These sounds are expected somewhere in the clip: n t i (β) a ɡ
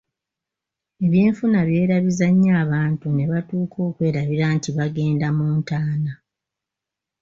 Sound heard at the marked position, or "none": β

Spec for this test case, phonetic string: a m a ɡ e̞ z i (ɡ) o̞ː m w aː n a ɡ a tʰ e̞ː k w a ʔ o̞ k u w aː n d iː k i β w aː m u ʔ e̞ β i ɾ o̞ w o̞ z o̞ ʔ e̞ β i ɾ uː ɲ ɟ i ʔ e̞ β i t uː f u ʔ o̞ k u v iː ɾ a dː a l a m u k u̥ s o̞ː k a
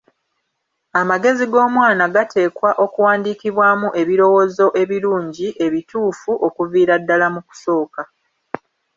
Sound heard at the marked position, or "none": ɡ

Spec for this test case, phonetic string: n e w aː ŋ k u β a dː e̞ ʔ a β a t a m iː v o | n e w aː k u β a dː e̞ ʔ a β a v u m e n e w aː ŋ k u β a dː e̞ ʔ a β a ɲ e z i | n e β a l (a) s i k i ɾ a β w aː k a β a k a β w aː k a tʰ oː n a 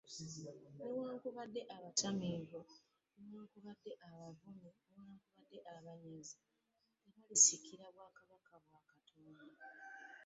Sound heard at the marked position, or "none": i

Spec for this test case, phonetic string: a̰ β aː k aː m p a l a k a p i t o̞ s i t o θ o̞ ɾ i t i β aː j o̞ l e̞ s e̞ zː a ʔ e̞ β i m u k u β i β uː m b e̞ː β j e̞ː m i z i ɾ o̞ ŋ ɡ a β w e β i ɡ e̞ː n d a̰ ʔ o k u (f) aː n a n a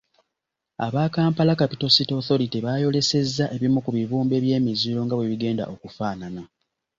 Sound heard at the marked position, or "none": f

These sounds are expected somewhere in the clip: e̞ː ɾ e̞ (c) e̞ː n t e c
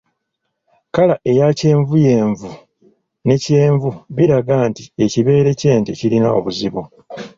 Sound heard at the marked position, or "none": c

